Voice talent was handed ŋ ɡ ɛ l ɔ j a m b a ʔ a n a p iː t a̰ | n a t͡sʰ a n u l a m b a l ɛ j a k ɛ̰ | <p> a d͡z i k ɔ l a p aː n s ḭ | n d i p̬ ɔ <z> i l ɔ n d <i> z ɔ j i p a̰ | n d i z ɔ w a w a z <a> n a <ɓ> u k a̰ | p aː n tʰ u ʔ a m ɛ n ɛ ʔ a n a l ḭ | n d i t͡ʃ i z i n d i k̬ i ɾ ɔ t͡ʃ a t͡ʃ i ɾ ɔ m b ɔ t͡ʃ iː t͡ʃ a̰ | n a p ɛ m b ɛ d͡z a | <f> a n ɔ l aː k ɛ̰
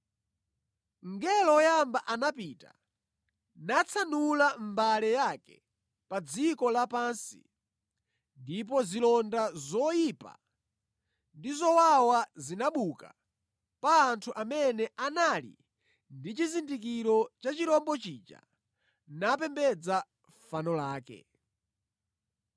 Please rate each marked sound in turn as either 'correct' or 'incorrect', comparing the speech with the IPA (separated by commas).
correct, correct, incorrect, incorrect, correct, correct